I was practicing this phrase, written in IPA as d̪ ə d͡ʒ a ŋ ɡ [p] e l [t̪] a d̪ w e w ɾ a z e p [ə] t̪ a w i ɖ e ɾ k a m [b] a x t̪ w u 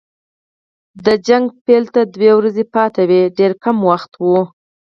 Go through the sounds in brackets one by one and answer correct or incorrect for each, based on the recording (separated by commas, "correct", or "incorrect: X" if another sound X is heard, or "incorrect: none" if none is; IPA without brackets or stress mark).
correct, correct, incorrect: ɑ, incorrect: w